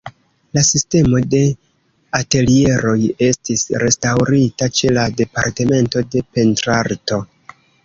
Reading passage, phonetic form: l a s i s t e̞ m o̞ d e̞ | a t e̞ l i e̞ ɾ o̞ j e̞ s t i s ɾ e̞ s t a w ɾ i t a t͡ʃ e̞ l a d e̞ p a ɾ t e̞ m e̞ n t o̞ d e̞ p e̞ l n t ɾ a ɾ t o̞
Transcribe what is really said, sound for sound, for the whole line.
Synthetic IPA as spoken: l a s i s t e̞ m o̞ d e̞ | a t e̞ l i e̞ ɾ o̞ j e̞ s t i s ɾ e̞ s t a w ɾ i t a t͡ʃ e̞ l a d e̞ p a ɾ t e̞ m e̞ n t o̞ d e̞ p e̞ n t ɾ a ɾ t o̞